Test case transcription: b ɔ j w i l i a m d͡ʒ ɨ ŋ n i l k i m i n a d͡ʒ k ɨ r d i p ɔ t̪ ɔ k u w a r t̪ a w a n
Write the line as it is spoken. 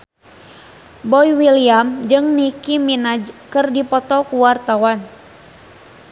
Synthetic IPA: b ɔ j w i l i a m d͡ʒ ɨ ŋ n i k i m i n a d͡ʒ k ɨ r d i p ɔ t̪ ɔ k u w a r t̪ a w a n

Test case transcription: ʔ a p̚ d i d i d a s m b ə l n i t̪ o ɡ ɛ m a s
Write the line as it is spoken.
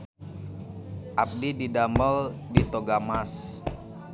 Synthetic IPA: ʔ a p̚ d i d i d a m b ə l d i t̪ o ɡ a m a s

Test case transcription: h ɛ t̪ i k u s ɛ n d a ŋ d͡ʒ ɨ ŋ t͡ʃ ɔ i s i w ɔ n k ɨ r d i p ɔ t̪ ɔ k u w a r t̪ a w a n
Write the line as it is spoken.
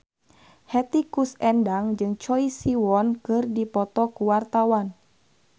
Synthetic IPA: h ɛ t̪ i k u s ɛ n d a ŋ d͡ʒ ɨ ŋ t͡ʃ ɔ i s i w ɔ n k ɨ r d i p ɔ t̪ ɔ k u w a r t̪ a w a n

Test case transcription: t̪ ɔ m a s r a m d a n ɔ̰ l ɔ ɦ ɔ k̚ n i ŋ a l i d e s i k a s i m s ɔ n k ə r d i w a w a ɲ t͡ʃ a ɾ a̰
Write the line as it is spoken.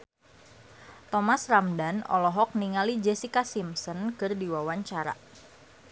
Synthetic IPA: t̪ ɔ m a s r a m d a n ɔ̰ l ɔ ɦ ɔ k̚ n i ŋ a l i d͡ʒ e s i k a s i m s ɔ n k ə r d i w a w a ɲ t͡ʃ a ɾ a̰

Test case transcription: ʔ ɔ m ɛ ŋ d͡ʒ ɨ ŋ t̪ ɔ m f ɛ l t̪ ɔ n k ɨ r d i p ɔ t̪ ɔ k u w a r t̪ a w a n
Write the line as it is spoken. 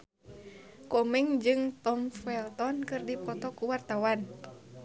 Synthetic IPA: k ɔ m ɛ ŋ d͡ʒ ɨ ŋ t̪ ɔ m f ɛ l t̪ ɔ n k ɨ r d i p ɔ t̪ ɔ k u w a r t̪ a w a n

